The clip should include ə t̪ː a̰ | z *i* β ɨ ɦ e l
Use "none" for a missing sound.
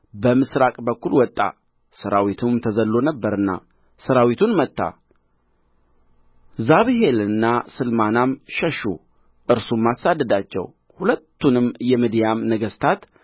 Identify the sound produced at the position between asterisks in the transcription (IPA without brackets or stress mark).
a